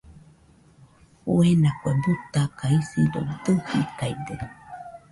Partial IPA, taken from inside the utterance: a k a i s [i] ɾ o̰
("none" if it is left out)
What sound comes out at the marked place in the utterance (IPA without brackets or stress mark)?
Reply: i